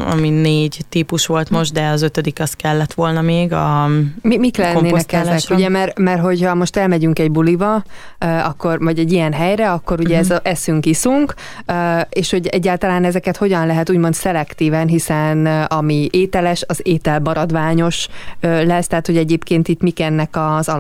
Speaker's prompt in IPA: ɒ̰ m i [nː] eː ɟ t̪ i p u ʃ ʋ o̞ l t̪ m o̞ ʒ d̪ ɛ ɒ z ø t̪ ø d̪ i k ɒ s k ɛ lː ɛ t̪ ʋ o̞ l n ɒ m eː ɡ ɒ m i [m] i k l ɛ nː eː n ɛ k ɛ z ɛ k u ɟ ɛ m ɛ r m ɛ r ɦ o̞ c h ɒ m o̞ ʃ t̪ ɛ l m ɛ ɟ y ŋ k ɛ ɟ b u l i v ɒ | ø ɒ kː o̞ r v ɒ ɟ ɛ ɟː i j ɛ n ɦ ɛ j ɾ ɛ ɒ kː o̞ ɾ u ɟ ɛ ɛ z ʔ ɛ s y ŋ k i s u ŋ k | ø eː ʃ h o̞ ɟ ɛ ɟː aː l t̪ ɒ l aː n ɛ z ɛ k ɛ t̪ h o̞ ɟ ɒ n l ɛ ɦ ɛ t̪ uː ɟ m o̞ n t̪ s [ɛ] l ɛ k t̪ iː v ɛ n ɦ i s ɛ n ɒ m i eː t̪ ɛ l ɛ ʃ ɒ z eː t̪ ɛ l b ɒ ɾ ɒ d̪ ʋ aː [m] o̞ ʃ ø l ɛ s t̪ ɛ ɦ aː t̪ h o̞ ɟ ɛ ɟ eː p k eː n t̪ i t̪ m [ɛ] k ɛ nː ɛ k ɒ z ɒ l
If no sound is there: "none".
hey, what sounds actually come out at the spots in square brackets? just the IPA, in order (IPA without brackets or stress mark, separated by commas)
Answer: n, m, ɛ, ɲ, i